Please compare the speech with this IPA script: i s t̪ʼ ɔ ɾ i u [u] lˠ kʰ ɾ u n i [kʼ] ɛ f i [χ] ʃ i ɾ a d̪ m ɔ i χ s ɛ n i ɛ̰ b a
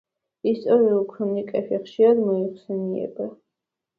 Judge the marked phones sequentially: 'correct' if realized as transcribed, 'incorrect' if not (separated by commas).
correct, correct, correct